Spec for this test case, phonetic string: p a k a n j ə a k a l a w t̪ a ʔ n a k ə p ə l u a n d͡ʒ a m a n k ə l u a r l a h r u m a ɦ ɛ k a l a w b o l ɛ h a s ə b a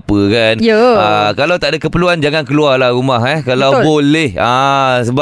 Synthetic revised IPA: p ə k a n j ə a k a l a w t̪ a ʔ d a k ə p ə l u a n d͡ʒ a ŋ a n k ə l u a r l a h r u m a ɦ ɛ k a l a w b o l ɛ h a s ə b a